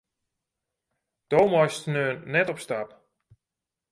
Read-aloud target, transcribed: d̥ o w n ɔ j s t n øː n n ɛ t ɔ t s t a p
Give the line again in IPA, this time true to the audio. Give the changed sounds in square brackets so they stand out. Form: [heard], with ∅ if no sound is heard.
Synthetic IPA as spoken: d̥ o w [m] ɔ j s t n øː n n ɛ t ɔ [p] s t a p